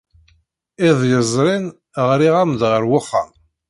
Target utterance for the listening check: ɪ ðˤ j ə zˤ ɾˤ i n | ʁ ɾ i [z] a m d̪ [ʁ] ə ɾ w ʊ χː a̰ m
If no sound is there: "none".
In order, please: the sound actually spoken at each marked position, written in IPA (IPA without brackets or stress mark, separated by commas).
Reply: ʁ, ʁ